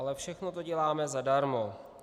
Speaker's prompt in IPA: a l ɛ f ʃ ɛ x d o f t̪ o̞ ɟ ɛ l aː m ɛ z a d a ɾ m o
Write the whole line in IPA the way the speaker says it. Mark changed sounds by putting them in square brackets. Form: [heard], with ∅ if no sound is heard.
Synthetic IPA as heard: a l ɛ f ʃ ɛ x [n] o [∅] t̪ o̞ ɟ ɛ l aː m ɛ z a d a ɾ m o